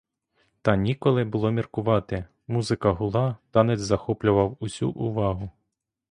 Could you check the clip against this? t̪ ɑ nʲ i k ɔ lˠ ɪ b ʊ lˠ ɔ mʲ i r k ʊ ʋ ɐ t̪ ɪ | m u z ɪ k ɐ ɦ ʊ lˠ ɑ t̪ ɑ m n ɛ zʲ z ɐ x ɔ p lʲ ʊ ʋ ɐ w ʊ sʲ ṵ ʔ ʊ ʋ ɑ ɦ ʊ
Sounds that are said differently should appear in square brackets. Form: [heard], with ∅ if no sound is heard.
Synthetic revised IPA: t̪ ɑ nʲ i k ɔ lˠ ɪ b ʊ lˠ ɔ mʲ i r k ʊ ʋ [ɑ] t̪ ɪ | m u z ɪ k ɐ ɦ ʊ lˠ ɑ t̪ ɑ [∅] n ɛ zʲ z ɐ x ɔ p lʲ ʊ ʋ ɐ w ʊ sʲ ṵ ʔ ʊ ʋ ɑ ɦ ʊ